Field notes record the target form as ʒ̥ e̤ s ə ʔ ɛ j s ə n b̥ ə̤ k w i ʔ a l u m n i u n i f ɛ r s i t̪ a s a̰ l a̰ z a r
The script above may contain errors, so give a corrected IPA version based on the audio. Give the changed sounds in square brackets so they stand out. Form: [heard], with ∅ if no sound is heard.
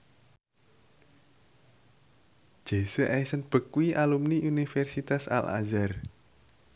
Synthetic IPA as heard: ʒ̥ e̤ s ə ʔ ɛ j s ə n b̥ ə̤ k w i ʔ a l u m n i u n i f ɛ r s i t̪ a s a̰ l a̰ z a r